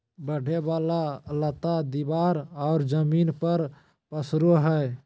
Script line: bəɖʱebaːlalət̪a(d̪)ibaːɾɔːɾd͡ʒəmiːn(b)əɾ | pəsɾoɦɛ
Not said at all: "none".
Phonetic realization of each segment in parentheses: d̪, p

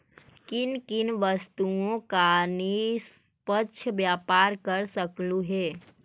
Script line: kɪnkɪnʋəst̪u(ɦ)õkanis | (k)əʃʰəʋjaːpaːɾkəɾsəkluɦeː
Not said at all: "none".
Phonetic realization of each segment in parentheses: none, p

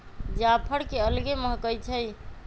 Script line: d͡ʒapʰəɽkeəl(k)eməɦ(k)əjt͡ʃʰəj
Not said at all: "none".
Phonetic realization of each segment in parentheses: ɡ, k

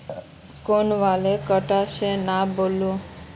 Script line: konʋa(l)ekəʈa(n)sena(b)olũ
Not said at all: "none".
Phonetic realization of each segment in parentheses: l, none, b

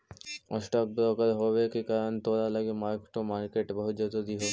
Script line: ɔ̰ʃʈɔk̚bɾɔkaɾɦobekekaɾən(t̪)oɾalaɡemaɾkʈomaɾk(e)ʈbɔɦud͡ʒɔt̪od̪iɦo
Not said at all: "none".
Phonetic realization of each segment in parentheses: t̪, e

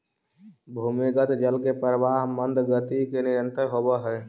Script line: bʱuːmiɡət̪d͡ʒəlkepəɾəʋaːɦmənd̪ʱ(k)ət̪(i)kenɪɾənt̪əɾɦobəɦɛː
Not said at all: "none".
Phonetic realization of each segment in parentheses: ɡ, i

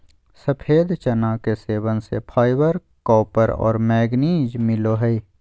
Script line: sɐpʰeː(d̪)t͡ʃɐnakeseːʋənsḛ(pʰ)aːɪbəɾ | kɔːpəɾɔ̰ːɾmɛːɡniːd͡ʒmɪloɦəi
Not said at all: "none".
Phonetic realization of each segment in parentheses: d̪, pʰ

